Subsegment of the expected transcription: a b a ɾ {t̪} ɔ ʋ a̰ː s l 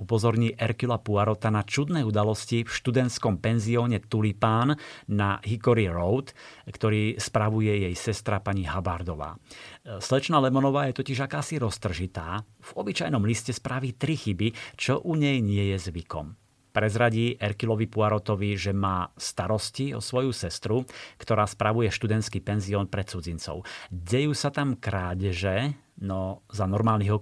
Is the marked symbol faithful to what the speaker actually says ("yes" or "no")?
no